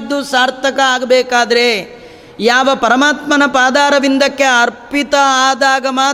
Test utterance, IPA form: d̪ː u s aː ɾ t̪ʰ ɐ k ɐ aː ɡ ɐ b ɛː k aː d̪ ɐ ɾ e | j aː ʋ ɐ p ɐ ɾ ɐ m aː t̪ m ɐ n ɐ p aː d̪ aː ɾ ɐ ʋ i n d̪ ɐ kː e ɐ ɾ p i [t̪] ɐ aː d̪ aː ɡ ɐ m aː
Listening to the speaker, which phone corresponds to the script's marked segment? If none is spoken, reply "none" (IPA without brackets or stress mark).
t̪